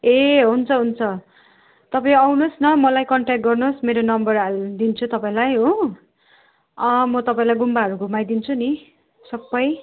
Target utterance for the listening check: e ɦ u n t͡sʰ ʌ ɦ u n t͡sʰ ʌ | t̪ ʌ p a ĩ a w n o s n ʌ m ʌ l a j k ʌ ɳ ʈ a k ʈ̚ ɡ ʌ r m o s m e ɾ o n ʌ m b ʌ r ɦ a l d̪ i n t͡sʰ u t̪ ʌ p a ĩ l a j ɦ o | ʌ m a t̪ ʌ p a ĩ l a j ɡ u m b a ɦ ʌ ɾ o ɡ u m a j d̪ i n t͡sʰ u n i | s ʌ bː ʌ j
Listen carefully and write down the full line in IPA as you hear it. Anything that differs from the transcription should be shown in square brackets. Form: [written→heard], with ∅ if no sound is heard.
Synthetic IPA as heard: e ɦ u n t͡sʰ ʌ ɦ u n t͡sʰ ʌ | t̪ ʌ p a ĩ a w n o s n ʌ m ʌ l a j k ʌ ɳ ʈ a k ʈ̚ ɡ ʌ r [m→n] o s m e ɾ o n ʌ m b ʌ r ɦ a l d̪ i n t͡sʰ u t̪ ʌ p a ĩ l a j ɦ o | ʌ m [a→ʌ] t̪ ʌ p a ĩ l a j ɡ u m b a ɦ ʌ ɾ [o→u] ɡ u m a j d̪ i n t͡sʰ u n i | s ʌ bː ʌ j